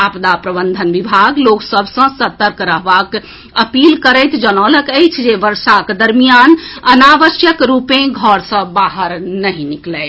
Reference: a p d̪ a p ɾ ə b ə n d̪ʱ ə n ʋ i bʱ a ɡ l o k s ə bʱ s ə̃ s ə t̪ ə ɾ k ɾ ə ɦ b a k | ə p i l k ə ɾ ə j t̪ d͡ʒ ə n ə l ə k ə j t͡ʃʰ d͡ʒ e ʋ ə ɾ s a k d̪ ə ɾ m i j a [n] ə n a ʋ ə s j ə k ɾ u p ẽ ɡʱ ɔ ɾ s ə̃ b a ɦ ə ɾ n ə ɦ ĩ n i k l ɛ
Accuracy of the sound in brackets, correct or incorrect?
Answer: correct